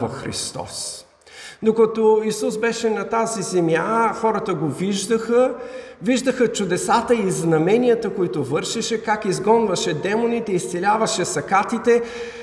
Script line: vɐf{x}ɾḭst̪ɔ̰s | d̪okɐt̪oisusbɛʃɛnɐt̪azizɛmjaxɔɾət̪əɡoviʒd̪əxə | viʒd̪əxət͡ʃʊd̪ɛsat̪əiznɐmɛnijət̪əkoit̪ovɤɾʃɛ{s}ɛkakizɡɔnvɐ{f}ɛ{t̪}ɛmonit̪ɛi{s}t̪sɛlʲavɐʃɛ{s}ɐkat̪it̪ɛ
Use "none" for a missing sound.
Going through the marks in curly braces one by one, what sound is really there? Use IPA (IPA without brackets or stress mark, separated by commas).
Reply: x, ʃ, ʃ, d̪, s, s